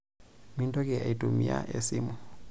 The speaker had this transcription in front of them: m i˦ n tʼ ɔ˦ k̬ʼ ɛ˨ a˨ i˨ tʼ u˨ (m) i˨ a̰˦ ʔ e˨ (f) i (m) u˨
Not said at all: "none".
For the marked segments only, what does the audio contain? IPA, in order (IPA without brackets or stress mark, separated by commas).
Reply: m, s, m